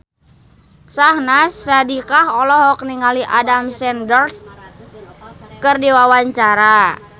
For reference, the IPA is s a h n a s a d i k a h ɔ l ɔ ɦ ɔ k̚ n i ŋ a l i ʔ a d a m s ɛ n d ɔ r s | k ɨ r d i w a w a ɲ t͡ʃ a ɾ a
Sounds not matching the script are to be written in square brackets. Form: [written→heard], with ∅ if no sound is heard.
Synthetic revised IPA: s a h n a s a d i k a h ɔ l ɔ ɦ ɔ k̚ n i ŋ a l i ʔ a d a m s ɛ n d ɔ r s | k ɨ r d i w a w a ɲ t͡ʃ a ɾ a